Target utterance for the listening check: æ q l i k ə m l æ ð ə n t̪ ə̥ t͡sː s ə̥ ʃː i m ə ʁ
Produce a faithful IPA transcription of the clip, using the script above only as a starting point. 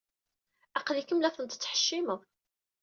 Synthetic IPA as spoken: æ q l i k ə m l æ θ ə n t̪ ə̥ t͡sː ħ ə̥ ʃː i m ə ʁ